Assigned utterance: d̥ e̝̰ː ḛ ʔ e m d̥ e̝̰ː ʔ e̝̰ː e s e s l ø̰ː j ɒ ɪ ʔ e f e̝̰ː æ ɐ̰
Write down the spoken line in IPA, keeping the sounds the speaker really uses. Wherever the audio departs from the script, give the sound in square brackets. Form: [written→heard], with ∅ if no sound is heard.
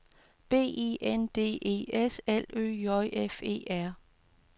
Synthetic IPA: [d̥→b̥] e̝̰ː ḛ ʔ e [m→n] d̥ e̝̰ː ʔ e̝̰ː e s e [s→∅] l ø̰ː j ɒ ɪ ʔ e f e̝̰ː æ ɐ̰